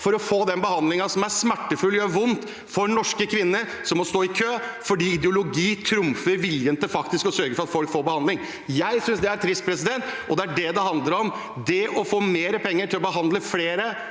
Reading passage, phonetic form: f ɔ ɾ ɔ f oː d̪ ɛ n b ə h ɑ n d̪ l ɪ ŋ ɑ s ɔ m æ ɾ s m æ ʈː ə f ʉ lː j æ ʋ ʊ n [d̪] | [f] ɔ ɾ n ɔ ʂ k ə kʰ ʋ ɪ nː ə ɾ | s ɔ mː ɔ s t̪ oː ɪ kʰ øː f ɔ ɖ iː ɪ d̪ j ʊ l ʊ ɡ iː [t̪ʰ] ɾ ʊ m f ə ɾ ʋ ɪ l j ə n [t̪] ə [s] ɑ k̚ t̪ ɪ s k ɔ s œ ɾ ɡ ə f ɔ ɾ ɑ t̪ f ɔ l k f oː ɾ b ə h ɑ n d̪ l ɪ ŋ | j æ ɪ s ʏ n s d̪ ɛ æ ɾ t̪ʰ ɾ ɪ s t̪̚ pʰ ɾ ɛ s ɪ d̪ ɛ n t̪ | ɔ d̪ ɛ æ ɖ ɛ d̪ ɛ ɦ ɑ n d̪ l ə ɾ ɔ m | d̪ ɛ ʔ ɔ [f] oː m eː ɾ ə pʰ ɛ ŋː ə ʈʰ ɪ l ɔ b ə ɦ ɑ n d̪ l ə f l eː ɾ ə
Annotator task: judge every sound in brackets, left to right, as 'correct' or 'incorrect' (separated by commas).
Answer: incorrect, correct, correct, correct, incorrect, correct